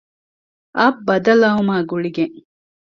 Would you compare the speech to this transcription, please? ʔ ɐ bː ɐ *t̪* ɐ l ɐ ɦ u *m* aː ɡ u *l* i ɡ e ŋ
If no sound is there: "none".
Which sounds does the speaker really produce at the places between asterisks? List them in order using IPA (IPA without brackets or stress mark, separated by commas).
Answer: d̪, m, ɭ